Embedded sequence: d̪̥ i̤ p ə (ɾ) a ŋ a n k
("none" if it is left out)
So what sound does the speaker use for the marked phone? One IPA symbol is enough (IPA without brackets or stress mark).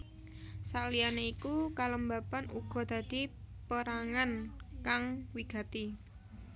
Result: ɾ